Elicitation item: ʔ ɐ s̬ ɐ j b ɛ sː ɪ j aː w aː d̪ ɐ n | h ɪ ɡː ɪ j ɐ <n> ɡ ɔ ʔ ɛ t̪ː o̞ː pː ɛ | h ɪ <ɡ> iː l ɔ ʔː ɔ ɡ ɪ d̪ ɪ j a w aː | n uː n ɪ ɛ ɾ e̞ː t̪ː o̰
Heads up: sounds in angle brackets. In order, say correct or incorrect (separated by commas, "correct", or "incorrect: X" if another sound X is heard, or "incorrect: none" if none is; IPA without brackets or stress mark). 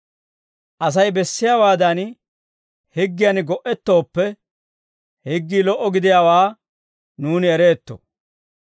correct, incorrect: ɡː